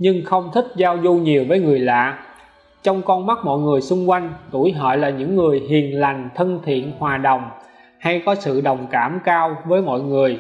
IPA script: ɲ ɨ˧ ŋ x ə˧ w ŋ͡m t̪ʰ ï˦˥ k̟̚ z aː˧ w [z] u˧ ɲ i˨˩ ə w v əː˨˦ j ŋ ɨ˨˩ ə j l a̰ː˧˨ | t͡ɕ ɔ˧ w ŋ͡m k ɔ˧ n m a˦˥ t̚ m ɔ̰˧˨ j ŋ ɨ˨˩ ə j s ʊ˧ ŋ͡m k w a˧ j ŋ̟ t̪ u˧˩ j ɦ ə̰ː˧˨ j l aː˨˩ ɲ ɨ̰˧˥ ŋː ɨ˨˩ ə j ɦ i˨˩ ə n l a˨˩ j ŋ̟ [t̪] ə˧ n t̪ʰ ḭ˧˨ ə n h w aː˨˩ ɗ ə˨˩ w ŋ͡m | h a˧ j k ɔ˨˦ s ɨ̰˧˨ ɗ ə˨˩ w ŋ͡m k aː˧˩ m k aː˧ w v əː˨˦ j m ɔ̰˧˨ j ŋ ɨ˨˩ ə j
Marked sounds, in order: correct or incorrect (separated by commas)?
correct, incorrect